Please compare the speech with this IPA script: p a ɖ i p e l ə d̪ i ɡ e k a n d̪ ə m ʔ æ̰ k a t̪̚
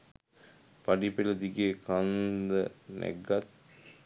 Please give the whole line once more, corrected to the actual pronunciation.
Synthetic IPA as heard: p a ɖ i p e l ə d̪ i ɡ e k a n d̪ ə n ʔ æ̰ ɡ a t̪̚